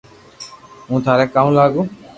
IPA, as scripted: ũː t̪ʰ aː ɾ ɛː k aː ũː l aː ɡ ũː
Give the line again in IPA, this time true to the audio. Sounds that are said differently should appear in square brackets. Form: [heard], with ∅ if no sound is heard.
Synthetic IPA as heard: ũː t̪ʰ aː ɾ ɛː k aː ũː l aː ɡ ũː

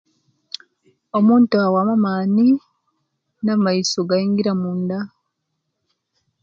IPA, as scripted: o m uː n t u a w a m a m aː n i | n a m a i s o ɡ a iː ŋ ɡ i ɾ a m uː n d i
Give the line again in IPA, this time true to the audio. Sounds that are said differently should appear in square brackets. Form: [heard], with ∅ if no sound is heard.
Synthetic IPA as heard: o m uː n t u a w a m a m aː n i | n a m a i s o ɡ a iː ŋ ɡ i ɾ a m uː n d [a]

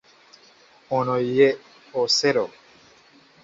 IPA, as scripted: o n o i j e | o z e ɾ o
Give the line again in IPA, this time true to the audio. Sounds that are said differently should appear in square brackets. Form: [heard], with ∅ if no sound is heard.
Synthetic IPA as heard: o n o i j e | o [s] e ɾ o

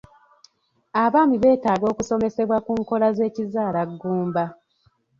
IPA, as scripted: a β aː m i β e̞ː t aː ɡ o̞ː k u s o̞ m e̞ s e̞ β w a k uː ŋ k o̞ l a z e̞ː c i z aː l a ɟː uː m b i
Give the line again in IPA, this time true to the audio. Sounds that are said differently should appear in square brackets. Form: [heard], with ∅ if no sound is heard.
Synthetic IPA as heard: a β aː m i β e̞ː t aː ɡ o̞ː k u s o̞ m e̞ s e̞ β w a k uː ŋ k o̞ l a z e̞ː c i z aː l a [ɡː] uː m b [a]

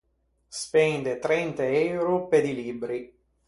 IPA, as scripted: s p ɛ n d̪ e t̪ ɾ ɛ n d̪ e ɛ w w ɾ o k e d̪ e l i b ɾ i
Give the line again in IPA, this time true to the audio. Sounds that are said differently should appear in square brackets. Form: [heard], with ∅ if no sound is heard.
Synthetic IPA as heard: s p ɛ n d̪ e t̪ ɾ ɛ n [t̪] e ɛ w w ɾ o [p] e d̪ [i] l i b ɾ i

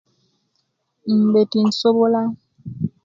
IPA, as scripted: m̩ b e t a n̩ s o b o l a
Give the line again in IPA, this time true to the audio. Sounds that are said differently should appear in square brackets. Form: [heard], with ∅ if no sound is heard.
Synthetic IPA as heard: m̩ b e t [i] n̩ s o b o l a

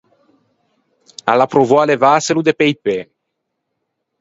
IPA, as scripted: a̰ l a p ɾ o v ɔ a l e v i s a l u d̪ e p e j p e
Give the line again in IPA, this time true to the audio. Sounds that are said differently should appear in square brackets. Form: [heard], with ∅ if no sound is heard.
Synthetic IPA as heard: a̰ l a p ɾ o v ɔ a l e v [a] s [e] l u d̪ e p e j p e

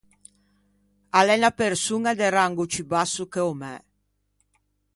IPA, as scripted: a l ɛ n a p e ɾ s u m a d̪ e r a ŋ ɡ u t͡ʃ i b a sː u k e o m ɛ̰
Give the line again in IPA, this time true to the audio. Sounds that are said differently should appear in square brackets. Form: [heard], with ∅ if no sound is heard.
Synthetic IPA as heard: a l ɛ n a p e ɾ s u [ŋ] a d̪ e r a ŋ ɡ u t͡ʃ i b a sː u k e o m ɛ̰

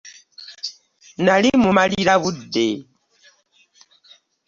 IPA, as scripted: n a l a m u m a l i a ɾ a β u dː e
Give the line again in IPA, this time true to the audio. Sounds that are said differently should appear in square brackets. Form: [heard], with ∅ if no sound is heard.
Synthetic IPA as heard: n a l [i] m u m a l i [i] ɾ a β u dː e

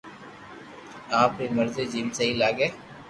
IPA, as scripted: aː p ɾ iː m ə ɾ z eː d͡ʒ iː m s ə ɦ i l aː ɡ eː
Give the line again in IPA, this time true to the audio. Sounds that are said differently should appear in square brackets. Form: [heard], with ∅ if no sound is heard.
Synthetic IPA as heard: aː p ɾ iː m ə ɾ z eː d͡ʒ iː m s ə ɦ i l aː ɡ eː

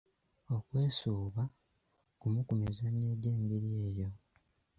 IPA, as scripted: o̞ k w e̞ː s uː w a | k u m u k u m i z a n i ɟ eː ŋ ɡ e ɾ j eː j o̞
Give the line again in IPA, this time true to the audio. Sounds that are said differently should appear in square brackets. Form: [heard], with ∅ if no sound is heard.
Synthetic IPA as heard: o̞ k w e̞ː s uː [β] a | k u m u k u m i z a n [e] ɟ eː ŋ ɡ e ɾ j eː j o̞

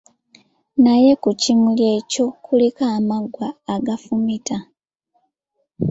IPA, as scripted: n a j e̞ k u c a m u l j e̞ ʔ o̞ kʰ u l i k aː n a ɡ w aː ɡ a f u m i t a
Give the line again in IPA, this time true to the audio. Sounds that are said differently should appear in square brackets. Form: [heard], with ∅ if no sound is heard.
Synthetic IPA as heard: n a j e̞ k u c [i] m u l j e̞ [c] o̞ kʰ u l i k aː [m] a ɡ w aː ɡ a f u m i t a

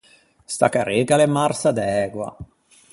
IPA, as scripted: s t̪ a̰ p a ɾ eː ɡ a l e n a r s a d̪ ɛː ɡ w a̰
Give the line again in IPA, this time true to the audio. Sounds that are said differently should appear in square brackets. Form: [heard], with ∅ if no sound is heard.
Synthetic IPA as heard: s t̪ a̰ [k] a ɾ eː ɡ a l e [m] a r s a d̪ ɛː ɡ w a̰

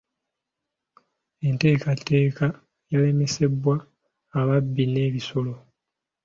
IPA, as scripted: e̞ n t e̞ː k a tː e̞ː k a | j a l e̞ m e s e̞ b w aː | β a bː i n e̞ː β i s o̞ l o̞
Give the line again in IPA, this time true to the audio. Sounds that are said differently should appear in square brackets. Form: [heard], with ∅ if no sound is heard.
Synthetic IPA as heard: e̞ n t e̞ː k a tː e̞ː k a | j a l e̞ m e s e̞ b w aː | β a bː i n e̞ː β i s o̞ l o̞

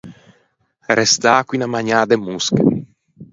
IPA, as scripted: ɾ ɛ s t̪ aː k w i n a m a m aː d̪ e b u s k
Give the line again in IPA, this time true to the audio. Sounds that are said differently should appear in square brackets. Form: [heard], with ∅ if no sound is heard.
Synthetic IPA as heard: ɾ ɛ s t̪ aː k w i n a m a [ɲ] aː d̪ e [m] u s k

